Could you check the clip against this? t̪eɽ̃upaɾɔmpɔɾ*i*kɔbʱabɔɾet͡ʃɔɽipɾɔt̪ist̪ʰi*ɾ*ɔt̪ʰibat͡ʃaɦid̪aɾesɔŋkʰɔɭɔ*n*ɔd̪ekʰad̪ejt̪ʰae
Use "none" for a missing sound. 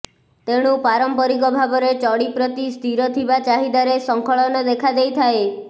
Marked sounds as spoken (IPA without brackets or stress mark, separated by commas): i, ɾ, n